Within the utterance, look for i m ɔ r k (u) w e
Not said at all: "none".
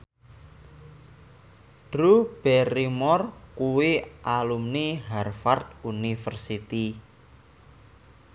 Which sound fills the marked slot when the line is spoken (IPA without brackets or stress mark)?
u